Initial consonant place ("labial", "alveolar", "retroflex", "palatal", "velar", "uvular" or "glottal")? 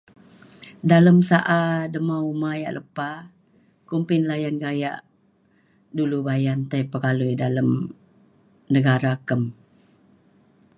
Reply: alveolar